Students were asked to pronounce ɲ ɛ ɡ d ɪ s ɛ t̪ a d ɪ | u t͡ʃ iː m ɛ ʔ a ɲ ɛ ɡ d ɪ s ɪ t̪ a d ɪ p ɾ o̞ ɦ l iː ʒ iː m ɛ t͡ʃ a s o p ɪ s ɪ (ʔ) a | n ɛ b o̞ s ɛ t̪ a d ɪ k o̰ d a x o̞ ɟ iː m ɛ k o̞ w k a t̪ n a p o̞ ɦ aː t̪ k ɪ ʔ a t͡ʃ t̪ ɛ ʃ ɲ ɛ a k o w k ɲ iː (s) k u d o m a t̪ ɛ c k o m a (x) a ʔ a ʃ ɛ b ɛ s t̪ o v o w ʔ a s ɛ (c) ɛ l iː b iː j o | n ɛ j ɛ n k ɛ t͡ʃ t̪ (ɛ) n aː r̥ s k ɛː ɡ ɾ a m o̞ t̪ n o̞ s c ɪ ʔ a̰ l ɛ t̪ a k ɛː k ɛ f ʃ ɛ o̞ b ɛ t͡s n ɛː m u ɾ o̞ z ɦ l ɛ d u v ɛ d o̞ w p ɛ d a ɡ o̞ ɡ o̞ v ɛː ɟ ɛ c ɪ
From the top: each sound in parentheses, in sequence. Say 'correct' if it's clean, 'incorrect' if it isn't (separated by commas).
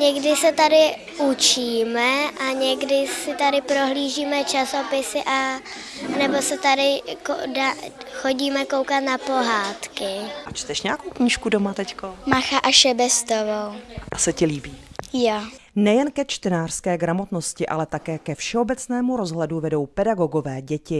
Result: correct, incorrect, correct, correct, correct